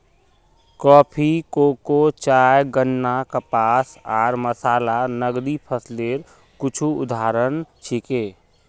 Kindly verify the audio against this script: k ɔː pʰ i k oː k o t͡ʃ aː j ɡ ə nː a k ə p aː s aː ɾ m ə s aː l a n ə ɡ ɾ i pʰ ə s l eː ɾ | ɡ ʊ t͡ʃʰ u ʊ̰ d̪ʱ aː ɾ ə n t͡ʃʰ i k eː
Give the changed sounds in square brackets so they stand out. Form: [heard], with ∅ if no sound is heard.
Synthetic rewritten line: k ɔː pʰ i k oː k o t͡ʃ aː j ɡ ə nː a k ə p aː s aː ɾ m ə s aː l a n ə ɡ ɾ i pʰ ə s l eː ɾ | [k] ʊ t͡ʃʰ u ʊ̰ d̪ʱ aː ɾ ə n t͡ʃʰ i k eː